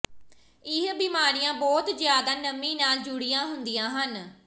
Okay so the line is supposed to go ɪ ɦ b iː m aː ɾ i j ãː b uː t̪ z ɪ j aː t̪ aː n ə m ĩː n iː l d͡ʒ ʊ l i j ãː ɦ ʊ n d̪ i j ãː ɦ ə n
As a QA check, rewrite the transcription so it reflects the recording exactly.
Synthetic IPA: ɪ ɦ b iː m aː ɾ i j ãː b ɔː t̪ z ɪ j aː d̪ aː n ə m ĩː n aː l d͡ʒ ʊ ɽ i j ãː ɦ ʊ n d̪ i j ãː ɦ ə n